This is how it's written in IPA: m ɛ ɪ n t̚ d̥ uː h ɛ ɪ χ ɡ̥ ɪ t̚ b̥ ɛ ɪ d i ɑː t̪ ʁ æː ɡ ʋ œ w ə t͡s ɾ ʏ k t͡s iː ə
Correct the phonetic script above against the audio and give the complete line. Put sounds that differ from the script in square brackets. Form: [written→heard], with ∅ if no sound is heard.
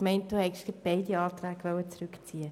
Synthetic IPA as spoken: m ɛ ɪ n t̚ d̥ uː h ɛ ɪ [χ→ʃ] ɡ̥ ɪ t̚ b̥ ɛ ɪ d i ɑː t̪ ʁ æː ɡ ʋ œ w ə t͡s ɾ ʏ k t͡s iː ə